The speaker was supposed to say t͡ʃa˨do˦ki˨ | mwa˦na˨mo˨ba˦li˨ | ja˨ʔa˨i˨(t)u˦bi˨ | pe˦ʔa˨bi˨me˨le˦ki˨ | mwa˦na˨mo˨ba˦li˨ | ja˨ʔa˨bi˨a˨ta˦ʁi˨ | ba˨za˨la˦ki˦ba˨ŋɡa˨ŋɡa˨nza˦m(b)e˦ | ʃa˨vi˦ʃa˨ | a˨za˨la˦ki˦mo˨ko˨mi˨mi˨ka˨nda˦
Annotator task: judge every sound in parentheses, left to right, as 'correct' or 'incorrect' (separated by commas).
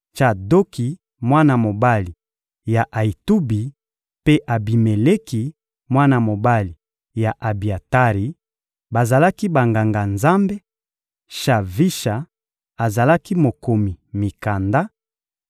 correct, correct